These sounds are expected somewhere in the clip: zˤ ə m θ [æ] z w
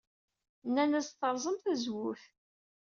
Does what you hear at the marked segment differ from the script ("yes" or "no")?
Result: no